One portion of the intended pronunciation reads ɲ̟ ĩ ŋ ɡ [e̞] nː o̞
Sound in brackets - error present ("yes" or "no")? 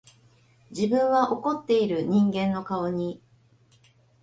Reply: yes